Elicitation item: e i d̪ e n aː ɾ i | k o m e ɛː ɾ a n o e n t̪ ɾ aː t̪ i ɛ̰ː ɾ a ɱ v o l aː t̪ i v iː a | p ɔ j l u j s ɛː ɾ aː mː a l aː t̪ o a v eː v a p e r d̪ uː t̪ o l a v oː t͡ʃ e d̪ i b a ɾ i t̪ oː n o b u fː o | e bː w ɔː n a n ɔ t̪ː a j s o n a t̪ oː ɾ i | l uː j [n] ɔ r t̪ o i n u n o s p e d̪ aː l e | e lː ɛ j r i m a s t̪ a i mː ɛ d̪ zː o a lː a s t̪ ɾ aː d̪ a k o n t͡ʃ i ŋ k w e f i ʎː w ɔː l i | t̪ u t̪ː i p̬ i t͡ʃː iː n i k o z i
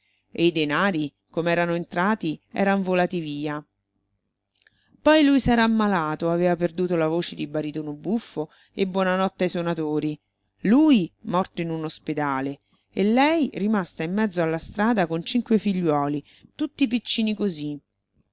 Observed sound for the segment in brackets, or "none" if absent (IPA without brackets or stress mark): m